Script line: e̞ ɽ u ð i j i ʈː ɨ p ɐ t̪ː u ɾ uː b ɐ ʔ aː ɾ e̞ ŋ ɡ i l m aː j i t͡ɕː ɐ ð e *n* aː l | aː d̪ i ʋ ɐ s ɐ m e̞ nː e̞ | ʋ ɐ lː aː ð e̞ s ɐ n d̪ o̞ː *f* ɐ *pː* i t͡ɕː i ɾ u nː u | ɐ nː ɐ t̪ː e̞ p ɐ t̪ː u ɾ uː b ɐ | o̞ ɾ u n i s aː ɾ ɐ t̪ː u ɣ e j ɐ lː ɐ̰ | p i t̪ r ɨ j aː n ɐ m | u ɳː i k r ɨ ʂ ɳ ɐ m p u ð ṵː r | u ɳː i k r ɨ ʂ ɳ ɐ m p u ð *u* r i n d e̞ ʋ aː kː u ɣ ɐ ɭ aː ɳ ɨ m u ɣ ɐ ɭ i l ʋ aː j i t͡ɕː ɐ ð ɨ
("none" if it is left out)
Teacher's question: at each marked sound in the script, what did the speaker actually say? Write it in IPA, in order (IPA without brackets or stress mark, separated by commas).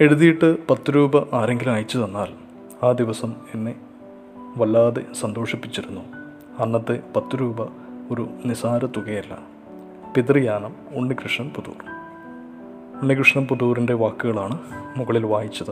nː, ʂ, pː, uː